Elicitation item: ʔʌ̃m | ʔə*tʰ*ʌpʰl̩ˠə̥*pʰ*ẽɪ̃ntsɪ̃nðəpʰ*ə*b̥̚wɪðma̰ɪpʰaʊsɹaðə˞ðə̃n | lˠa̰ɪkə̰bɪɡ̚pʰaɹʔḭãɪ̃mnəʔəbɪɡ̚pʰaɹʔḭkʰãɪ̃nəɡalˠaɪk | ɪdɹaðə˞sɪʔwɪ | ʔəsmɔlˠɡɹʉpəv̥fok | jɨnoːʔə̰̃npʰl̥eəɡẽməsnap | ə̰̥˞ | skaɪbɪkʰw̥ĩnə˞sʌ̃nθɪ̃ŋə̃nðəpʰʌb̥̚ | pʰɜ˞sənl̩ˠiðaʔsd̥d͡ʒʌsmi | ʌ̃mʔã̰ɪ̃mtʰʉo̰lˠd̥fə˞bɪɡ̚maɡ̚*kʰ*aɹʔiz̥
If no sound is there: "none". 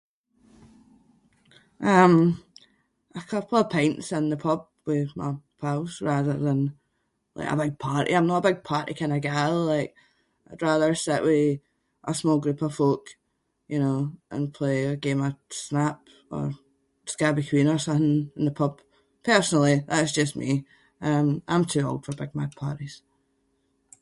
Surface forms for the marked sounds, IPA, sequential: kʰ, pʰ, ʌ, pʰ

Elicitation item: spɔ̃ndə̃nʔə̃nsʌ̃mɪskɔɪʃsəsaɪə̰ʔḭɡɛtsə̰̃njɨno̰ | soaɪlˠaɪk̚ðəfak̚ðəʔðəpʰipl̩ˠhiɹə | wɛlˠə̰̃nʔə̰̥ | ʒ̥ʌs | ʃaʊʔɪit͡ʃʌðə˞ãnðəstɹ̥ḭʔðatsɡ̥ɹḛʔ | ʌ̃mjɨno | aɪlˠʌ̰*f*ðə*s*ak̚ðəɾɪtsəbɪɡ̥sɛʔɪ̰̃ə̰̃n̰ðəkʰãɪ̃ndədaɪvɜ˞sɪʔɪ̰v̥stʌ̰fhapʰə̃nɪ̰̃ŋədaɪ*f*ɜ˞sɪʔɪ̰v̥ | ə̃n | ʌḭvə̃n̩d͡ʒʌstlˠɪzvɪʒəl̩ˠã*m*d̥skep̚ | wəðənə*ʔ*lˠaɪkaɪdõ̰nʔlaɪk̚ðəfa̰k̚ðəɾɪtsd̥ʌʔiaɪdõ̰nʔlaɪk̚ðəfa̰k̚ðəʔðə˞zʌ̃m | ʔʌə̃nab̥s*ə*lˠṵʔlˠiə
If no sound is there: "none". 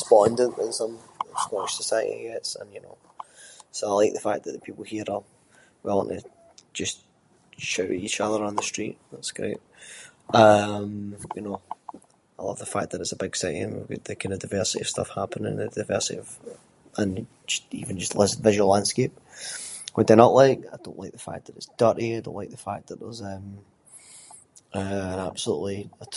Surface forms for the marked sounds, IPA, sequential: v, f, v, n, ʔ, ə

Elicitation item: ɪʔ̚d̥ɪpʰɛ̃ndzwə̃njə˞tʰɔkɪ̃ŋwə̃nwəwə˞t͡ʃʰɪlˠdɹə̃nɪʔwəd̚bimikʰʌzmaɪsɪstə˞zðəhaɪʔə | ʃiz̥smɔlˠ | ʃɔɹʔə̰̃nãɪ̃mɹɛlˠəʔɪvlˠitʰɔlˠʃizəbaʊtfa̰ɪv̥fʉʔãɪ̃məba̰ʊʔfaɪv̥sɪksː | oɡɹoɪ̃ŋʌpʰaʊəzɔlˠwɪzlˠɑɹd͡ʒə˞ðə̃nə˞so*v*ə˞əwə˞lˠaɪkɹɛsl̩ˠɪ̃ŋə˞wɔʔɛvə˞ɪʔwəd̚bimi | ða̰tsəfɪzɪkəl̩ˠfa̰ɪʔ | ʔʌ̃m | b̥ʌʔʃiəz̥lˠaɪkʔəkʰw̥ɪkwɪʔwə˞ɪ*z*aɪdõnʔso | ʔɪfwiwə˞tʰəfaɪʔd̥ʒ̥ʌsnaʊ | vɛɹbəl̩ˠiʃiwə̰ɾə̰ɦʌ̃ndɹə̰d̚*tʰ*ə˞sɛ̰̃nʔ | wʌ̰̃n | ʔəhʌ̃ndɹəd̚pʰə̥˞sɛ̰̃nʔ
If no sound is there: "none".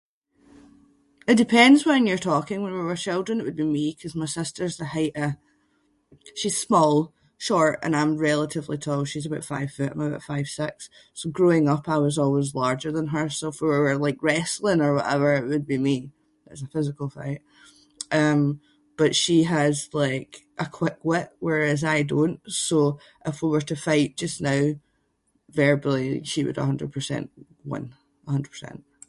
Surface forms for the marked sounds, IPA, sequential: f, z, pʰ

